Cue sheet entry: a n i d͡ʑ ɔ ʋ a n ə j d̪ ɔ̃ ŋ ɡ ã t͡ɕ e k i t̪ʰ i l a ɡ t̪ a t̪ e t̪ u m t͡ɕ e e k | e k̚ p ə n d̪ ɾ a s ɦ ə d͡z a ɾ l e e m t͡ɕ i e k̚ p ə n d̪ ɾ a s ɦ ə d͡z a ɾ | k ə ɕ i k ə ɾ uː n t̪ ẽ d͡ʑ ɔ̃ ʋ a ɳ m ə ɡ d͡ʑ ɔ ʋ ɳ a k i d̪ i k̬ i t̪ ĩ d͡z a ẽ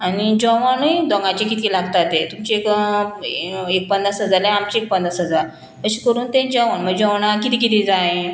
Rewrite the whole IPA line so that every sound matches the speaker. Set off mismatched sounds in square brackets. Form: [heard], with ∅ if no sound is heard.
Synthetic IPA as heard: a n i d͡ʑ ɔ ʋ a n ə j d̪ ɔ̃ ŋ ɡ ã t͡ɕ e k i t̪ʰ i l a ɡ t̪ a t̪ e t̪ u m t͡ɕ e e k | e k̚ p ə n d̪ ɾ a s ɦ ə d͡z a ɾ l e [a] m t͡ɕ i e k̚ p ə n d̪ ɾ a s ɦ ə d͡z a ɾ | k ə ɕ i k ə ɾ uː n t̪ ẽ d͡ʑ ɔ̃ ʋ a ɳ m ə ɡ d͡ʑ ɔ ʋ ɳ a k i [t̪] i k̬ i t̪ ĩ d͡z a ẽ

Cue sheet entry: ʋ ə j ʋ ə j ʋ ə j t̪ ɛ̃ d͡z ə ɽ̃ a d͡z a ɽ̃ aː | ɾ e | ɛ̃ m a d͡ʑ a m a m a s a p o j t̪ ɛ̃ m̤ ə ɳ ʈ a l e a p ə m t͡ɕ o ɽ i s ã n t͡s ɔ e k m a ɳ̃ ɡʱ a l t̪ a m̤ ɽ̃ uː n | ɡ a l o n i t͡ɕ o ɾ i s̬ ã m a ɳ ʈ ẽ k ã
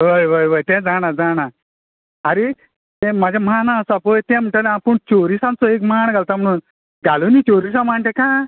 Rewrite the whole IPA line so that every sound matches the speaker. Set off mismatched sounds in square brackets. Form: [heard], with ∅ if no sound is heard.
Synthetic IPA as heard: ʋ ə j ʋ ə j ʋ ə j t̪ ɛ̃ d͡z [a] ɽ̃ a d͡z a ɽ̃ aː | ɾ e | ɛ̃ m a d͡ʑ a m a [n] a s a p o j t̪ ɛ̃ m̤ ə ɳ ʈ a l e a p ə [ɳ] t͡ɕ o [ɾ] i s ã n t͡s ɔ e k m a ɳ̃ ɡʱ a l t̪ a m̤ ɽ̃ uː n | ɡ a l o n i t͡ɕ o ɾ i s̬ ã m a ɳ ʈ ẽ k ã

